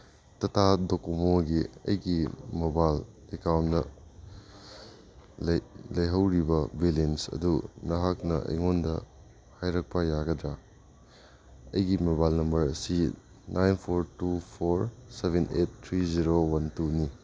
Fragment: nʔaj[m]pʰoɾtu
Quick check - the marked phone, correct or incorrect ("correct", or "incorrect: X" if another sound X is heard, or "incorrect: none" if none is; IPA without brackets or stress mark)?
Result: incorrect: n